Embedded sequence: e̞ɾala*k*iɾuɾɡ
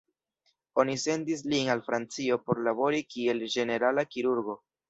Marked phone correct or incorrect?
correct